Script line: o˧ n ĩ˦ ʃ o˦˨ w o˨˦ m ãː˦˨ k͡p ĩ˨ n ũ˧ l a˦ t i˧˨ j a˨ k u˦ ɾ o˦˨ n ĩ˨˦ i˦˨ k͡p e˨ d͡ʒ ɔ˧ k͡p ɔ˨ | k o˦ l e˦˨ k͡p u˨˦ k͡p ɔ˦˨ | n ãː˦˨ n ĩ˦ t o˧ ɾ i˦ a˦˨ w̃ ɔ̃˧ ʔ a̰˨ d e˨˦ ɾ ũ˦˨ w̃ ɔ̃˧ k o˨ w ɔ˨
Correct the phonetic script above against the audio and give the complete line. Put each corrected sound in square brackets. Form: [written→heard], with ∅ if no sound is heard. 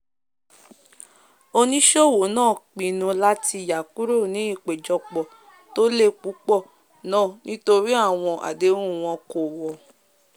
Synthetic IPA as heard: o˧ n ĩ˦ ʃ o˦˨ w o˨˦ [m→n] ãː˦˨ k͡p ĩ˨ n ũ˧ l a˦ t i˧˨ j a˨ k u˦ ɾ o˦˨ n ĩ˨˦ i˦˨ k͡p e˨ d͡ʒ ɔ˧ k͡p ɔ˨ | [k→t] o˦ l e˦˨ k͡p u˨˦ k͡p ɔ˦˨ | n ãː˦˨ n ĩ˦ t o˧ ɾ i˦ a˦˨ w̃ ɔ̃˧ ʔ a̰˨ d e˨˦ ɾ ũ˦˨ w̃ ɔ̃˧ k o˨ w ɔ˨